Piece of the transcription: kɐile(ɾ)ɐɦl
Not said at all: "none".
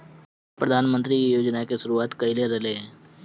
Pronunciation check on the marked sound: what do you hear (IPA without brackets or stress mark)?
ɾ